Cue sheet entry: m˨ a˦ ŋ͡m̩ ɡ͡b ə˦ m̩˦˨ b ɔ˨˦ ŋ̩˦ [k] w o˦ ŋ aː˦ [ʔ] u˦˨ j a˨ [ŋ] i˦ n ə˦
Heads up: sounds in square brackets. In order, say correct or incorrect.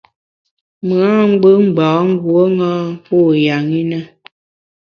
incorrect: ɡ, incorrect: p, correct

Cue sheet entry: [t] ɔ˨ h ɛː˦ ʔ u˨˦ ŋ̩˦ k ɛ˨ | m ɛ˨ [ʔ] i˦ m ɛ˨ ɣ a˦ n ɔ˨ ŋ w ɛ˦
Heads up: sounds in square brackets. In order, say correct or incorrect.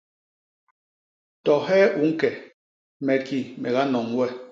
correct, incorrect: k

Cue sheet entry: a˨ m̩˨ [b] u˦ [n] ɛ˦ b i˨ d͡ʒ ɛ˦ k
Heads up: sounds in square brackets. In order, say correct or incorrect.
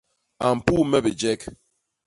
incorrect: p, incorrect: m

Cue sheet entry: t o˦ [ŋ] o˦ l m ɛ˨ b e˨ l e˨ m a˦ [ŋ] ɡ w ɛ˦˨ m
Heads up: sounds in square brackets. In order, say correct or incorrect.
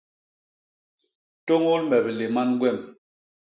correct, incorrect: n

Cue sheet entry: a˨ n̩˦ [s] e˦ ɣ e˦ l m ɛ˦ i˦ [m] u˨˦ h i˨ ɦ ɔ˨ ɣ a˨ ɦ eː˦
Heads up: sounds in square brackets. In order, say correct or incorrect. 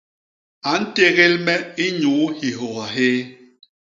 incorrect: t, incorrect: ɲ

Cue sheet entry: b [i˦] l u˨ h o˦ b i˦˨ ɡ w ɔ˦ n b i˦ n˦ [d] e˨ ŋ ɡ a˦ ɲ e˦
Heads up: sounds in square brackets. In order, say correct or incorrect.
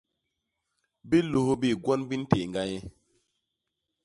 correct, incorrect: t

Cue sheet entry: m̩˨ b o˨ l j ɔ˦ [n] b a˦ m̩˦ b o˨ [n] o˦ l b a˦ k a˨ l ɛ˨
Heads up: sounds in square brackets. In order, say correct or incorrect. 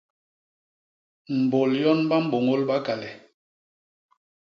correct, incorrect: ŋ

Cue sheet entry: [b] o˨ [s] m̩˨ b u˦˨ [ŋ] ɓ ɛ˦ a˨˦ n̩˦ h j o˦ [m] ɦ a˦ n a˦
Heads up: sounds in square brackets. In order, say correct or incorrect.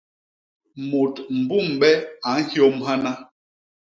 incorrect: m, incorrect: t, incorrect: m, correct

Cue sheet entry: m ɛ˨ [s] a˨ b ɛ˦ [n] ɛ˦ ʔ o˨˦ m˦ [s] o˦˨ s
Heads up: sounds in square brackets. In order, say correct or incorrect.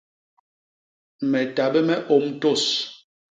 incorrect: t, incorrect: m, incorrect: t

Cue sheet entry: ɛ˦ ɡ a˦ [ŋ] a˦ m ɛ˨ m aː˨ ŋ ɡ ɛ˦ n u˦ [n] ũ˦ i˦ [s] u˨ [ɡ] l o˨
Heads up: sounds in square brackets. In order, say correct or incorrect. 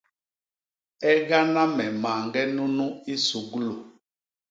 incorrect: n, correct, correct, correct

